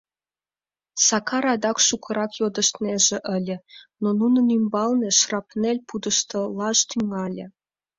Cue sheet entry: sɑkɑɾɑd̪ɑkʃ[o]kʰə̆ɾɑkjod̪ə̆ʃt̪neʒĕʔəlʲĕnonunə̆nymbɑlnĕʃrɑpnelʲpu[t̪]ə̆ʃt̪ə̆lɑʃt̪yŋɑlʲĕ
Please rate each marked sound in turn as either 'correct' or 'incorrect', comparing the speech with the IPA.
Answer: incorrect: u, incorrect: d̪

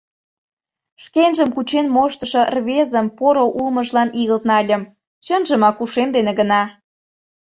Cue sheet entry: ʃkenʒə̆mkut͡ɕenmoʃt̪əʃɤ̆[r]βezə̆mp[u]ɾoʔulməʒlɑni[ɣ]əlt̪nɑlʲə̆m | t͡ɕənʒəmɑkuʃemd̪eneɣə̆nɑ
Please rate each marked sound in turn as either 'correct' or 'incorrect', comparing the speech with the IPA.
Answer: correct, incorrect: o, correct

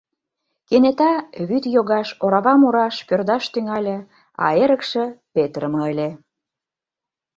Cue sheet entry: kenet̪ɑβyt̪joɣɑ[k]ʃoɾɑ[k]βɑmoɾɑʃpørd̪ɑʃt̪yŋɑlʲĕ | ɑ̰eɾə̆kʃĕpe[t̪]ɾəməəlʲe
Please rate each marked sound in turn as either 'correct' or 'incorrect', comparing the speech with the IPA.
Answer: incorrect: none, incorrect: none, correct

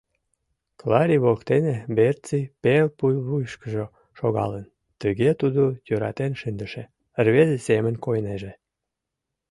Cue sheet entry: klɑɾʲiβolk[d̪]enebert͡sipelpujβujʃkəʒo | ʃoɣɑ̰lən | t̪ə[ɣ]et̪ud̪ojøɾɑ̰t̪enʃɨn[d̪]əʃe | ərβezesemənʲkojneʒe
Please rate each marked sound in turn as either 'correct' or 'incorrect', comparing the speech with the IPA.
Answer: incorrect: t̪, correct, correct

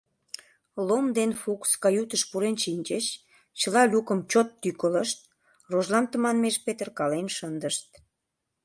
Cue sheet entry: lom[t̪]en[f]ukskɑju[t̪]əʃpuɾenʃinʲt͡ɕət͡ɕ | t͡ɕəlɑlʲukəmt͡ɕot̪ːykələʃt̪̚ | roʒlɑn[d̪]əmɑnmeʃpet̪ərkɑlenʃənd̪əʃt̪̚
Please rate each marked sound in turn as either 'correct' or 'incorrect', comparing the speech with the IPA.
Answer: incorrect: d̪, correct, correct, incorrect: t̪

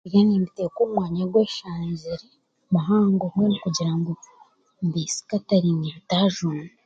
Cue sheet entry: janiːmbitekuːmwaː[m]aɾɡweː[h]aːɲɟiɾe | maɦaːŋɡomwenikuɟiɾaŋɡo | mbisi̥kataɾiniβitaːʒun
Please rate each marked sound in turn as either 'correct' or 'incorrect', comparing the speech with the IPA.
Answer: incorrect: ɲ, incorrect: ʃ

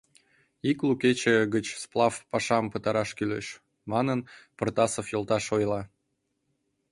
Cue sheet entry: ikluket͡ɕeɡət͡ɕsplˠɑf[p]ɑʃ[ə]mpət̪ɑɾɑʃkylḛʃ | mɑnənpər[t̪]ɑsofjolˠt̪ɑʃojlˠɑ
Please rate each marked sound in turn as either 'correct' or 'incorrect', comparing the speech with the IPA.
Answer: correct, incorrect: ɑ, correct

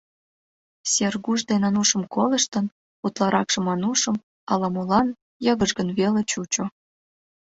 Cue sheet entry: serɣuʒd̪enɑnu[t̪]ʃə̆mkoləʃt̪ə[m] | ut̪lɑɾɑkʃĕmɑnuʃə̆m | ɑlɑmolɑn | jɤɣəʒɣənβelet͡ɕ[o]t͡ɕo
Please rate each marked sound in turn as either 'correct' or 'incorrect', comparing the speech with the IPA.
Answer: incorrect: none, incorrect: n, incorrect: u

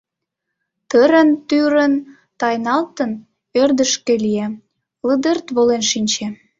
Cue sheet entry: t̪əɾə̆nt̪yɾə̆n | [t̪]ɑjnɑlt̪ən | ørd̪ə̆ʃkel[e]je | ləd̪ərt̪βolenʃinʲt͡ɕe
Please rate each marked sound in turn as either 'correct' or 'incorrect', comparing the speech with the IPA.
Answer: correct, incorrect: i

